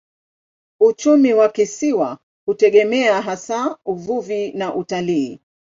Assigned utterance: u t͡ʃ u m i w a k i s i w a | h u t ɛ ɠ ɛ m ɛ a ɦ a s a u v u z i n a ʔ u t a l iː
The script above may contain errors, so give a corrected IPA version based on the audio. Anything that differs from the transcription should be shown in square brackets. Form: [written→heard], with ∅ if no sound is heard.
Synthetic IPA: u t͡ʃ u m i w a k i s i w a | h u t ɛ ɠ ɛ m ɛ a ɦ a s a u v u [z→v] i n a ʔ u t a l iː